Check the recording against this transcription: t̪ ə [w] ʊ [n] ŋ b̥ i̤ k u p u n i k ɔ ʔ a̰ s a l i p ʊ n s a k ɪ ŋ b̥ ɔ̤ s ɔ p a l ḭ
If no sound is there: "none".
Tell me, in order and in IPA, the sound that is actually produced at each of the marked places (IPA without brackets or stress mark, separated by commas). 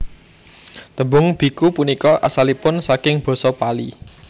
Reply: b, none